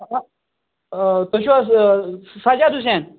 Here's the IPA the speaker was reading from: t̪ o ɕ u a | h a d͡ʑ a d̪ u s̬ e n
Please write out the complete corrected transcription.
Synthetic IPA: t̪ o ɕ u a | s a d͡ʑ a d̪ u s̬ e n

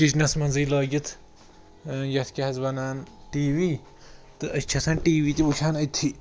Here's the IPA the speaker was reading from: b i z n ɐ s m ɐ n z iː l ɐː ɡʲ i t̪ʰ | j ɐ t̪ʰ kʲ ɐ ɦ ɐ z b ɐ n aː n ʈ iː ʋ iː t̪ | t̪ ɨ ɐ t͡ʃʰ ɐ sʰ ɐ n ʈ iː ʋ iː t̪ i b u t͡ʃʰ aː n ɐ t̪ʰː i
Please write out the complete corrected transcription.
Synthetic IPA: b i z n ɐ s m ɐ n z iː l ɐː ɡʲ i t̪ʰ | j ɐ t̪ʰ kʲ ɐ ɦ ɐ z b ɐ n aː n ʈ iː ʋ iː | t̪ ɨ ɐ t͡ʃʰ ɐ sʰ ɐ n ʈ iː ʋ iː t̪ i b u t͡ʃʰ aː n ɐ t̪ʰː i

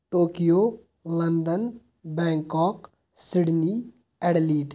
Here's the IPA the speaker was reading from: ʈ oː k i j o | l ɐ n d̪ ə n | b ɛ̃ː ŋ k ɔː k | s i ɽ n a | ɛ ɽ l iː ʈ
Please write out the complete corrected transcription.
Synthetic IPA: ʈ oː k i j o | l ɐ n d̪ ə n | b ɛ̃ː ŋ k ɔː k | s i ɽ n i | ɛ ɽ l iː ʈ

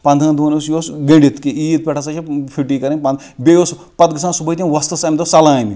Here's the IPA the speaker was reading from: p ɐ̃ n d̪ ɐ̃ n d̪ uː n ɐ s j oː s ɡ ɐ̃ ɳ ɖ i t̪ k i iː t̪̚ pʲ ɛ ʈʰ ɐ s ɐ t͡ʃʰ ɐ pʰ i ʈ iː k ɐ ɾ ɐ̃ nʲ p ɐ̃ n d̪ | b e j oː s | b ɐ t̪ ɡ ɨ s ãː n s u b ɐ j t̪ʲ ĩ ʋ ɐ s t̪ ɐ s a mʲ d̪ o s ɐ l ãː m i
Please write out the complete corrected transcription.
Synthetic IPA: p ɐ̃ n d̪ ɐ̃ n d̪ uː n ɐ s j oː s ɡ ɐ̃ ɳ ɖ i t̪ k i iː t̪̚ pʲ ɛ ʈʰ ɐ s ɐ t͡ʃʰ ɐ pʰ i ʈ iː k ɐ ɾ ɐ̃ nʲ p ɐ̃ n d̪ | b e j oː s | p ɐ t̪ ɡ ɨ s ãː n s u b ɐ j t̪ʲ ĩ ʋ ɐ s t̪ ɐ s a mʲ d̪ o s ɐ l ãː m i

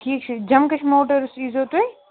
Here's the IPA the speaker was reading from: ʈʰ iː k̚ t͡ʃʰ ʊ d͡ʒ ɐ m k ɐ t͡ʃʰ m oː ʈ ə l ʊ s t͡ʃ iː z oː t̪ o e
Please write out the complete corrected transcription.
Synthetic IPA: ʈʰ iː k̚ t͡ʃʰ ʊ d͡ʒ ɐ m k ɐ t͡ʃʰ m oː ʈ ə ɾ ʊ s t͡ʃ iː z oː t̪ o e

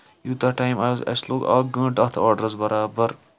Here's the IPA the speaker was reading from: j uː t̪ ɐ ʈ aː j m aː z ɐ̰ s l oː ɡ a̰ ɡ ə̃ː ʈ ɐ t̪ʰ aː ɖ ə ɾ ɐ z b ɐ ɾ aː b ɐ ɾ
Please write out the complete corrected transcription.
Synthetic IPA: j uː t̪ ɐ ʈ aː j m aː z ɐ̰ s l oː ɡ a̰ ɡ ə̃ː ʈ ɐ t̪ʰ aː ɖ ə ɾ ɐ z b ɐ ɾ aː b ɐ ɾ

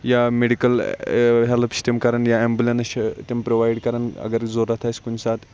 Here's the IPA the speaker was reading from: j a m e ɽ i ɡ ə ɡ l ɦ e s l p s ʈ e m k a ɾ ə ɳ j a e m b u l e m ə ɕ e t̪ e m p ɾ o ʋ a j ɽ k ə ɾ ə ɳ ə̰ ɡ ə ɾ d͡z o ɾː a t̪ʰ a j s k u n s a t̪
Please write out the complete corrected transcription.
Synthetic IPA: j a m e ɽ i k ə l ɦ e l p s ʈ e m k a ɾ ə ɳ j a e m b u l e n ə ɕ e t̪ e m p ɾ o ʋ a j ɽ k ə ɾ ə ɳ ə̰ ɡ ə ɾ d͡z o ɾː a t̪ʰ a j s k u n s a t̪

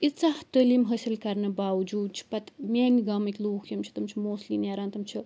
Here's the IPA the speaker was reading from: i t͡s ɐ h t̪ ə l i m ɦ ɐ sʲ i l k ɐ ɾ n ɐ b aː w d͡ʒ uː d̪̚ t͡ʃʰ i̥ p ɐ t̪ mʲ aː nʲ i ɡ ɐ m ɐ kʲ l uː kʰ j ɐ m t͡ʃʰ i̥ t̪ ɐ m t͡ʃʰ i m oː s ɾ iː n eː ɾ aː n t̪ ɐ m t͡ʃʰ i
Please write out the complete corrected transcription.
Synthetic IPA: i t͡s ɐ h t̪ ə l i m ɦ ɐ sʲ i l k ɐ ɾ n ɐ b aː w d͡ʒ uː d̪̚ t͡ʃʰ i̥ p ɐ t̪ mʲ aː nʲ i ɡ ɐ m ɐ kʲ l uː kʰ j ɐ m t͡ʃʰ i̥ t̪ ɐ m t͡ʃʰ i m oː s l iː n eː ɾ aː n t̪ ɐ m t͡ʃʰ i

